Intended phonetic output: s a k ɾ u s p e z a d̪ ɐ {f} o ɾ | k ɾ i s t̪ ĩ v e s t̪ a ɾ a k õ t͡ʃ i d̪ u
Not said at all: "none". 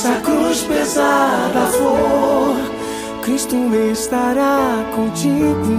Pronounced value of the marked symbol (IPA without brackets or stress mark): f